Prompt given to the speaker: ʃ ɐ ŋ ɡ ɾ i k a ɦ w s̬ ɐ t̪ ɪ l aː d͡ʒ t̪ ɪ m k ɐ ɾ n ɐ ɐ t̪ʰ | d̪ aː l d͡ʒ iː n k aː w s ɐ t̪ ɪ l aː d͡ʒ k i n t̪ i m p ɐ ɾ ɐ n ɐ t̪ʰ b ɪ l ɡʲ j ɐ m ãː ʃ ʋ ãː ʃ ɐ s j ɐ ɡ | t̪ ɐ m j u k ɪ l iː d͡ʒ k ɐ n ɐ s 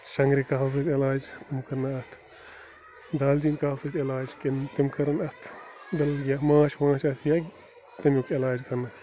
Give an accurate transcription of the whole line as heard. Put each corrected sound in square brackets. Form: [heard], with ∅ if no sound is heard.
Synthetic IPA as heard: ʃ ɐ ŋ ɡ ɾ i k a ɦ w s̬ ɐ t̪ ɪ l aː d͡ʒ t̪ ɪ m k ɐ ɾ n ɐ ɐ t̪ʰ | d̪ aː l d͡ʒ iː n k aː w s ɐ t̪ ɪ l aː d͡ʒ k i n t̪ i m [k] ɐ ɾ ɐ n ɐ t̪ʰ b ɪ l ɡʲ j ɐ m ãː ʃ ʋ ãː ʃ ɐ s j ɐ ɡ | t̪ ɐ m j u k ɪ l [aː] d͡ʒ k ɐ n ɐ s